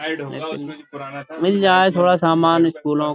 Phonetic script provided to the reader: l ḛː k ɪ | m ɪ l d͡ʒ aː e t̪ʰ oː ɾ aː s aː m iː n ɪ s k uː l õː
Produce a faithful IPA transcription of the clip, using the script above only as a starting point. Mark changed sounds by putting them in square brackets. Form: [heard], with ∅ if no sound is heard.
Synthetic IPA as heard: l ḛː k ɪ | m ɪ l d͡ʒ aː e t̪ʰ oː [ɽ] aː s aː m [aː] n ɪ s k uː l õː